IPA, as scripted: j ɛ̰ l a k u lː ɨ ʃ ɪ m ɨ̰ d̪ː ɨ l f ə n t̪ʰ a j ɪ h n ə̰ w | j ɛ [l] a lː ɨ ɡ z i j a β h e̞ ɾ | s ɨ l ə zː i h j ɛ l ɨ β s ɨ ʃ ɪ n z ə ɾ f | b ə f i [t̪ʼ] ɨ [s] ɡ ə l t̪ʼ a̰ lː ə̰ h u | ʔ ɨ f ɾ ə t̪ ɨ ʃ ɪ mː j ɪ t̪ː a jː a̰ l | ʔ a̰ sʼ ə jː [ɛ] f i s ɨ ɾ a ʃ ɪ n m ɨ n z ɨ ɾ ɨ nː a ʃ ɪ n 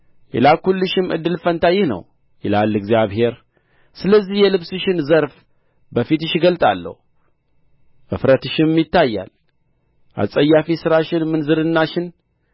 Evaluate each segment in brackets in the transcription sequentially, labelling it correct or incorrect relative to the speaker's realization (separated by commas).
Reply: correct, incorrect, incorrect, incorrect